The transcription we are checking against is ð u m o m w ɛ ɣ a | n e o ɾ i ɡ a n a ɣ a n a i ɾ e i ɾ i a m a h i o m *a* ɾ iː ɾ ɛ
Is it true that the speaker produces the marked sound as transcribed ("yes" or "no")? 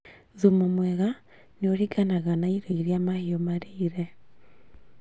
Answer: yes